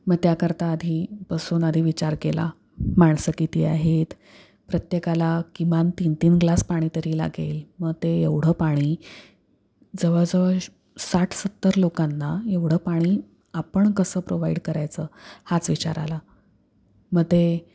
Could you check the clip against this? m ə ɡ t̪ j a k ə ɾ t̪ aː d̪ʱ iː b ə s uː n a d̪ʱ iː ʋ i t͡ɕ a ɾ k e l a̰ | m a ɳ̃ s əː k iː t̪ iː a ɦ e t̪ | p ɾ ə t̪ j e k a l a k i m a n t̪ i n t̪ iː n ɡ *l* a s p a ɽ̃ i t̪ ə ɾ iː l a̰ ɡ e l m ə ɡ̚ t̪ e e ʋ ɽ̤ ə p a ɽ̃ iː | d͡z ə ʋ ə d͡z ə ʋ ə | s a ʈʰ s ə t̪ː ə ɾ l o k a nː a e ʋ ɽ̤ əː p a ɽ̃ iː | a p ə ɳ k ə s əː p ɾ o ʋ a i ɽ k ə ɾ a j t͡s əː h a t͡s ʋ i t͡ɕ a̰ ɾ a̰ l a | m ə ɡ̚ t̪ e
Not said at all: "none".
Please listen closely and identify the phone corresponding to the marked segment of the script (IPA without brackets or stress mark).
l